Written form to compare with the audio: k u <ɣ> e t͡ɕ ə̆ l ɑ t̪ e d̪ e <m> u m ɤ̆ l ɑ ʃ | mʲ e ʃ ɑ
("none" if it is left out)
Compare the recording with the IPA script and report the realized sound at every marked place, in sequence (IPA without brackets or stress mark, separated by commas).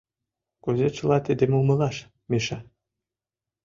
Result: z, m